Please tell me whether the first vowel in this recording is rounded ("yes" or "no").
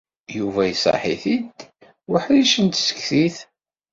yes